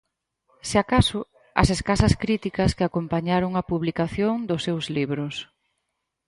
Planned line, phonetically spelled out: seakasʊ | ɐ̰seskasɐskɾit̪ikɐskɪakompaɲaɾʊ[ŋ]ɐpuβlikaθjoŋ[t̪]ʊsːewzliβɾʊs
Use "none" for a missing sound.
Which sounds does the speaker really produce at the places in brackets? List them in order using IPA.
ŋ, d̪

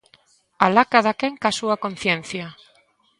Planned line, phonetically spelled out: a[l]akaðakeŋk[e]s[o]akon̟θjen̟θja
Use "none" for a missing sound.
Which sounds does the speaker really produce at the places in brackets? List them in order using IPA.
l, a, u

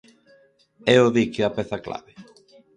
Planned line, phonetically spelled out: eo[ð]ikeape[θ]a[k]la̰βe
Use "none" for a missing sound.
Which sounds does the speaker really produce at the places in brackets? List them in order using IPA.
ð, θ, k

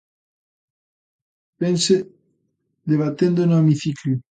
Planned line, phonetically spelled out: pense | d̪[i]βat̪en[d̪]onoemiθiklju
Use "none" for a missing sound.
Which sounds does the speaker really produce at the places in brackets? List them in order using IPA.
e, d̪

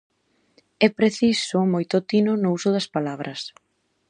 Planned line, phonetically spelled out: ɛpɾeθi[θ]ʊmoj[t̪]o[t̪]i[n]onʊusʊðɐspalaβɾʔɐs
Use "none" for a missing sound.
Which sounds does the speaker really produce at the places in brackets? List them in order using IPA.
s, t̪, t̪, n

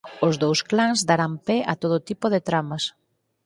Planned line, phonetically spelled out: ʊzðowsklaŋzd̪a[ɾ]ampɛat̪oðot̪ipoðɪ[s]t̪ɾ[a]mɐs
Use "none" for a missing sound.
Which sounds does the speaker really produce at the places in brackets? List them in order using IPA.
ɾ, none, a

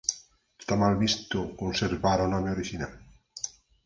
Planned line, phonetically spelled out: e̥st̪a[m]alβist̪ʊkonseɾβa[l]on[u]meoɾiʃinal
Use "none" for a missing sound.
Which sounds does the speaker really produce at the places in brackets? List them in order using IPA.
m, ɾ, ɔ

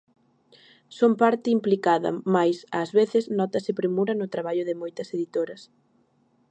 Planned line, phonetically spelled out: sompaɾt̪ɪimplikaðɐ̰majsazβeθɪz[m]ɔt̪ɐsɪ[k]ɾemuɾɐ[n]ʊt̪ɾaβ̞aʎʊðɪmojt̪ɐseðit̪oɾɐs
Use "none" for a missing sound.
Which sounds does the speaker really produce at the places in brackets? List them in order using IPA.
n, p, n

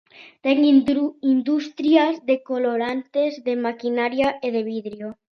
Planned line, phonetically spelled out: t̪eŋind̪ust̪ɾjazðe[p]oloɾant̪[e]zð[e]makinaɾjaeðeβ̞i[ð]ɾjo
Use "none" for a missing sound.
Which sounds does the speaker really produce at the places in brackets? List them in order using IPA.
k, e, e, ð

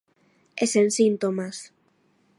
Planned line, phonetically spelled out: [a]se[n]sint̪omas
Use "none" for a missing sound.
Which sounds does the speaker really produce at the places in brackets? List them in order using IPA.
e, n

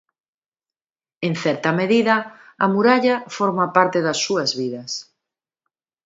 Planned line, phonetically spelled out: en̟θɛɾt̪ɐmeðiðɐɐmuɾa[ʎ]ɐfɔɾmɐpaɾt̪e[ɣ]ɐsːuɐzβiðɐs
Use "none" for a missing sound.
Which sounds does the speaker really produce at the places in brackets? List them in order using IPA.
ʎ, ð

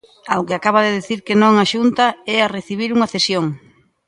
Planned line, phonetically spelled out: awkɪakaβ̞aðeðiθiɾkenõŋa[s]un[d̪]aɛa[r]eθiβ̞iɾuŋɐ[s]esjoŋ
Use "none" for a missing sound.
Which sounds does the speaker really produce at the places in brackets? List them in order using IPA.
ʃ, t̪, r, θ

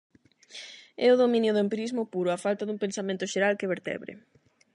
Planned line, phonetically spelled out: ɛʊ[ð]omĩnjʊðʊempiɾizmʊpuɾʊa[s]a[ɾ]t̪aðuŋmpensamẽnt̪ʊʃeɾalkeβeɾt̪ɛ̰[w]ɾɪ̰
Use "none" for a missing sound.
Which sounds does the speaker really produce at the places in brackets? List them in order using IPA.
ð, f, l, β

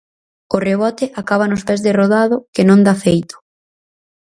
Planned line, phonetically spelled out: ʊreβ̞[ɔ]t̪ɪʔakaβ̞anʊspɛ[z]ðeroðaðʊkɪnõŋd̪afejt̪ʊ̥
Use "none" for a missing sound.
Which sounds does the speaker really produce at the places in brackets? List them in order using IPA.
ɔ, z

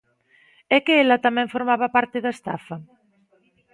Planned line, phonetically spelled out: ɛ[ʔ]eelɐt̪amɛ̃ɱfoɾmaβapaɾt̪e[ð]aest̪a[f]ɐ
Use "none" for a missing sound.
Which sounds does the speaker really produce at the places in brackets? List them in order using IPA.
k, ð, f

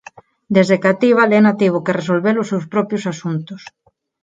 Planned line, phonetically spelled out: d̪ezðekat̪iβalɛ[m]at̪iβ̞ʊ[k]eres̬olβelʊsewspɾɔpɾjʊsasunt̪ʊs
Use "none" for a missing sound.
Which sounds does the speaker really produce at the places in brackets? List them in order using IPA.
n, k

